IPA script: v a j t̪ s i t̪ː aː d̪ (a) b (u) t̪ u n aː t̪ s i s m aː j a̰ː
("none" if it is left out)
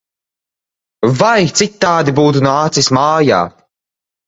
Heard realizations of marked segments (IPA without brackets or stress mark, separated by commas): i, uː